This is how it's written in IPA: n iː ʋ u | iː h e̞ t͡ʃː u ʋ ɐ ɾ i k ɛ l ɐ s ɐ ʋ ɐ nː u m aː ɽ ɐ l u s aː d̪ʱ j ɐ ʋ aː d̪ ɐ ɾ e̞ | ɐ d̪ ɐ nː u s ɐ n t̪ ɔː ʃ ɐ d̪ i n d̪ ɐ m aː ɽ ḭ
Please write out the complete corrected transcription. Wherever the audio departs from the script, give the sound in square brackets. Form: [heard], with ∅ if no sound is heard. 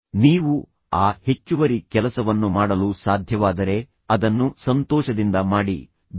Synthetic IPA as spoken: n iː ʋ u | [aː] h e̞ t͡ʃː u ʋ ɐ ɾ i k ɛ l ɐ s ɐ ʋ ɐ nː u m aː ɽ ɐ l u s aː d̪ʱ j ɐ ʋ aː d̪ ɐ ɾ e̞ | ɐ d̪ ɐ nː u s ɐ n t̪ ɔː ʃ ɐ d̪ i n d̪ ɐ m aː ɽ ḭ